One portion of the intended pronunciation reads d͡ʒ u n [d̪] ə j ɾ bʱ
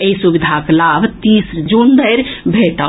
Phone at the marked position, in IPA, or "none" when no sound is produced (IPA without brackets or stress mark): d̪